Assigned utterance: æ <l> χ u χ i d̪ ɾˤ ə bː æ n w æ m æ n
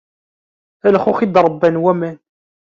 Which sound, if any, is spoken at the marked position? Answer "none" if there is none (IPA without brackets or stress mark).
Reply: l